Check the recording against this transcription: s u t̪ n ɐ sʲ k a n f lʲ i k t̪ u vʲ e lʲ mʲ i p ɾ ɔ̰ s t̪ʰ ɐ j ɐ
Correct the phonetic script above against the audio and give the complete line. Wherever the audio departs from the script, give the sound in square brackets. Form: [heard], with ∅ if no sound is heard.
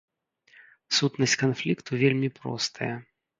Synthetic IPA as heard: s u t̪ n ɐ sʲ k a n f lʲ i k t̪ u vʲ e lʲ mʲ i p ɾ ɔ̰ s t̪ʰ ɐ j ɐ